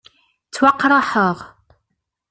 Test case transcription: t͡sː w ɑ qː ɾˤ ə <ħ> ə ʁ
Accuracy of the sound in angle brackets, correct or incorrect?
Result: correct